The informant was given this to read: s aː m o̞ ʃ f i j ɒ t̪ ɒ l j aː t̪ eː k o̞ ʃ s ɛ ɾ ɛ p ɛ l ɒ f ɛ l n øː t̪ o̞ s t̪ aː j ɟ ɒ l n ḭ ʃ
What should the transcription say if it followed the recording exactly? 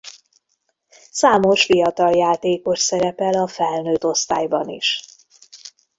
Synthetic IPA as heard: s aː m o̞ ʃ f i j ɒ t̪ ɒ l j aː t̪ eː k o̞ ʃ s ɛ ɾ ɛ p ɛ l ɒ f ɛ l n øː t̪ o̞ s t̪ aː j b ɒ n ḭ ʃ